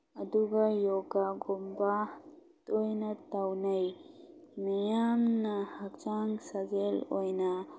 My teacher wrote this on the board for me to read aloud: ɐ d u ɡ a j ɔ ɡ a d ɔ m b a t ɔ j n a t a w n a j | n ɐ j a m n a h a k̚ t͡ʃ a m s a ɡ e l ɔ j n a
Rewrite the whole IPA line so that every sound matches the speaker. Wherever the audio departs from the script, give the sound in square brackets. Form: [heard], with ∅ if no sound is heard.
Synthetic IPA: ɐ d u ɡ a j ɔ ɡ a [ɡ] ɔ m b a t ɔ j n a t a w n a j | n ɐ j a m n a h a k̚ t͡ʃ a [ŋ] s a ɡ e l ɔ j n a